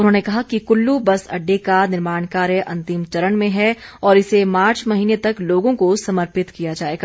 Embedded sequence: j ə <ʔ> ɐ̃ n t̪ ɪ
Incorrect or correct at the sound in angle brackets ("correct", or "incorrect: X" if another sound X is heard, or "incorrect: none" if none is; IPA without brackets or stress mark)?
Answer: correct